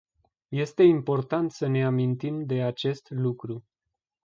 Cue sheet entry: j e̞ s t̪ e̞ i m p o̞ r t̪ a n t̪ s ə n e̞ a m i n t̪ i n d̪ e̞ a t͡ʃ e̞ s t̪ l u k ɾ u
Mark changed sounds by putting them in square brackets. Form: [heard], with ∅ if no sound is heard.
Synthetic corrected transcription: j e̞ s t̪ e̞ i m p o̞ r t̪ a n t̪ s ə n e̞ a m i n t̪ i [m] d̪ e̞ a t͡ʃ e̞ s t̪ l u k ɾ u